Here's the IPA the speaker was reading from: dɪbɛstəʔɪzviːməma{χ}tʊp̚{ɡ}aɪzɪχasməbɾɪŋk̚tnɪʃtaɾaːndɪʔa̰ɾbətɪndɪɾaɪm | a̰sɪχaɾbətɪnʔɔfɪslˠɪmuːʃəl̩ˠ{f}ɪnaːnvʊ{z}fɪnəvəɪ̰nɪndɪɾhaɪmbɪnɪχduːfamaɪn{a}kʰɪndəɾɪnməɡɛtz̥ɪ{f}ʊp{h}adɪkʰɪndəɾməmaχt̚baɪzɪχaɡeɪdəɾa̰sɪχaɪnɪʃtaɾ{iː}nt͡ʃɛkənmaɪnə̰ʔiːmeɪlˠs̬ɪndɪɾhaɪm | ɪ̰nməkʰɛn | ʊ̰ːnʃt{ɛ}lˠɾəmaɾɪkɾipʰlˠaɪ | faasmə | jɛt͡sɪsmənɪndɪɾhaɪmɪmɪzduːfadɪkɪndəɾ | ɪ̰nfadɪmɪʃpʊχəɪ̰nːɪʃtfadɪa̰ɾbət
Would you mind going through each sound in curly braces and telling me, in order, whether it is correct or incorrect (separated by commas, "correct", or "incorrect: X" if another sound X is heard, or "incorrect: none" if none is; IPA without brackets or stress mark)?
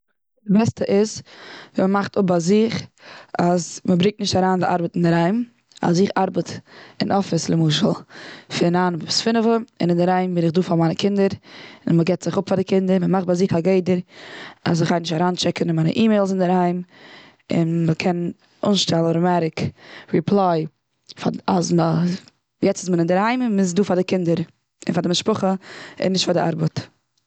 correct, incorrect: b, correct, incorrect: s, incorrect: ə, incorrect: χ, incorrect: f, incorrect: aː, correct